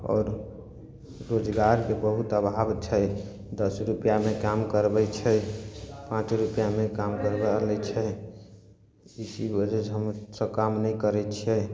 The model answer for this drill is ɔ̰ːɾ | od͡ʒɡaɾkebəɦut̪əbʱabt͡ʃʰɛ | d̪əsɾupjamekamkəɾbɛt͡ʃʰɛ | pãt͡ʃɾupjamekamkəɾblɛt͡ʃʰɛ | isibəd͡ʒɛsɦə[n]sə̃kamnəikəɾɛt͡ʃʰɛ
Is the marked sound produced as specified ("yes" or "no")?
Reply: no